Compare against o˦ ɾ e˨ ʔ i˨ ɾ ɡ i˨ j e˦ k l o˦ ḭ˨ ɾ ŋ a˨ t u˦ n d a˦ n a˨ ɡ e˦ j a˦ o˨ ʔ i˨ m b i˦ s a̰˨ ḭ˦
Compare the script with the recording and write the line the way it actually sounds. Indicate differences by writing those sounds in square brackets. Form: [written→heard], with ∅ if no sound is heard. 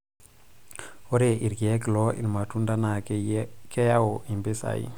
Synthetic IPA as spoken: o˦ ɾ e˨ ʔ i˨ ɾ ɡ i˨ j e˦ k l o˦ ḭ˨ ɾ [ŋ→m] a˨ t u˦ n d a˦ n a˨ [ɡ→k] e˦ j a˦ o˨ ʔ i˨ m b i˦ s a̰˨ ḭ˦